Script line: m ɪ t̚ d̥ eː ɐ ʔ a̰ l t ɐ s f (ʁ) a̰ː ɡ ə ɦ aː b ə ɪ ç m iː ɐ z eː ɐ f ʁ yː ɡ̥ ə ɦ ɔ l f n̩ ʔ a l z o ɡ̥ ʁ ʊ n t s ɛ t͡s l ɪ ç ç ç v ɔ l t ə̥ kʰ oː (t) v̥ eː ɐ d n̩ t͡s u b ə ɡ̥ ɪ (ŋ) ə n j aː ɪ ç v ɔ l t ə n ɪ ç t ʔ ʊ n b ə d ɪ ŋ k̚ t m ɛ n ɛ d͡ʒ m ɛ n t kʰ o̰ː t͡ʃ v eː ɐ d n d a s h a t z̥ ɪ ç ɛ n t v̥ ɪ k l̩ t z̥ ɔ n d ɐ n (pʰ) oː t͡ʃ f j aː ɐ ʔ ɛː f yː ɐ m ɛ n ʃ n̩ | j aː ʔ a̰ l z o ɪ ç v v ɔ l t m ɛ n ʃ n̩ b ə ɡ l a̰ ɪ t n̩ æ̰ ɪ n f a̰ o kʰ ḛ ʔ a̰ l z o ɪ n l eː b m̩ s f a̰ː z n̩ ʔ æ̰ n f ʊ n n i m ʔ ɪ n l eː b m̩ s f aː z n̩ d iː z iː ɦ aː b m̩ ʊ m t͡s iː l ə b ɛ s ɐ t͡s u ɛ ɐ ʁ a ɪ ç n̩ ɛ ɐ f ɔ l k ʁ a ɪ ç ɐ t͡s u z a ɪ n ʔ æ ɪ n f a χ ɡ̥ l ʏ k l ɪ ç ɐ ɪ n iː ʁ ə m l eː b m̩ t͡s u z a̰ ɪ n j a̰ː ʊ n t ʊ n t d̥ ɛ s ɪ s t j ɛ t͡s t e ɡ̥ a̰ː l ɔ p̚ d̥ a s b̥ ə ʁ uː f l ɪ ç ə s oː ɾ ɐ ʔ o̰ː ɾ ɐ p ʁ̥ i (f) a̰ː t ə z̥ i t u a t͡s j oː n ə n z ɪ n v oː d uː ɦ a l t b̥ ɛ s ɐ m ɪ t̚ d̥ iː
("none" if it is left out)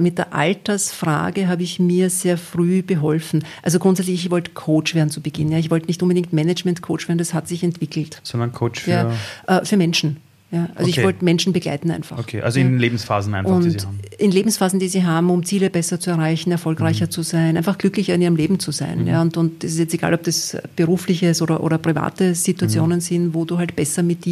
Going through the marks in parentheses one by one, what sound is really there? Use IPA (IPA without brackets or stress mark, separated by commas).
ʁ, t͡ʃ, n, kʰ, v